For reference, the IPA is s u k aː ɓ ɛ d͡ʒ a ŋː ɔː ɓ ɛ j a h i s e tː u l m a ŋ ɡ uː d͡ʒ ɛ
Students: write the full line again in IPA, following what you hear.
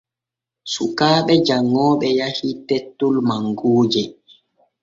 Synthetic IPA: s u k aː ɓ ɛ d͡ʒ a ŋː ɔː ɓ ɛ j a h i t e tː u l m a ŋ ɡ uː d͡ʒ ɛ